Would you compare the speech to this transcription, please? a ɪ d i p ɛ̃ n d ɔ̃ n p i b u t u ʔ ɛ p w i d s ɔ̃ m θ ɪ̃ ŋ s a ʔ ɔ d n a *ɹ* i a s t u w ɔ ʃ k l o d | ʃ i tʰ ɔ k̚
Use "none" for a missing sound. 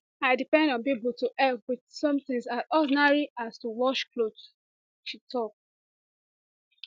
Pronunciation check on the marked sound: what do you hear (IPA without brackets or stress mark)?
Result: ɹ